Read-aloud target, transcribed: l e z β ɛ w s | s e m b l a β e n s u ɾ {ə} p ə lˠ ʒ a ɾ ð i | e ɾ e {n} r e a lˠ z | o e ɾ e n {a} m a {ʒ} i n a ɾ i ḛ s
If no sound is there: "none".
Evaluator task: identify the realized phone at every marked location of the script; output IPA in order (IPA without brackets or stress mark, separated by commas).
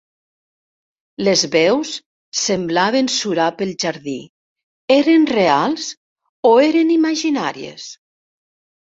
a, n, i, ʒ